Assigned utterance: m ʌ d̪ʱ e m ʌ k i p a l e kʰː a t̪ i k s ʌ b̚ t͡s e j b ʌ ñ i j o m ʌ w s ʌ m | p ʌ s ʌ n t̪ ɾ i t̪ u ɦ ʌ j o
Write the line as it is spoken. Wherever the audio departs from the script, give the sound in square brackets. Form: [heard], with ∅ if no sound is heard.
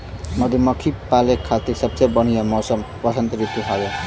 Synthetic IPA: m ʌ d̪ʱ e m ʌ [kʰ] i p a l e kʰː a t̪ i k s ʌ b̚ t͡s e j b ʌ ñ i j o m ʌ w s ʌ m | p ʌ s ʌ n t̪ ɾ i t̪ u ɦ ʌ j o